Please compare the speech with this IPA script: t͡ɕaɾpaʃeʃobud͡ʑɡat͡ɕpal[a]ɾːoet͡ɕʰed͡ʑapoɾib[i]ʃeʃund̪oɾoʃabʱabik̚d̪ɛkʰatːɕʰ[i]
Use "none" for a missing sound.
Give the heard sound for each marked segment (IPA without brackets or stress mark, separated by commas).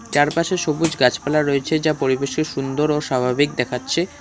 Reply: a, e, e